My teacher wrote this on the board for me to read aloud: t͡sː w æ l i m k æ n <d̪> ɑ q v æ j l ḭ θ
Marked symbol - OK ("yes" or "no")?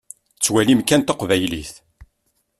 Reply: no